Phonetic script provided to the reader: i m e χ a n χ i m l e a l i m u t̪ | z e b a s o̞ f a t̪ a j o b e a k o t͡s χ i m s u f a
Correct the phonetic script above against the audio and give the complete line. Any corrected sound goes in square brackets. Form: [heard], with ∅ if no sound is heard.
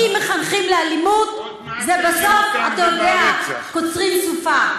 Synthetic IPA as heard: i m e χ a n χ i m l e a l i m u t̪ | z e b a s o̞ f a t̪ a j o [d] e a k o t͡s [ʁ] i m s u f a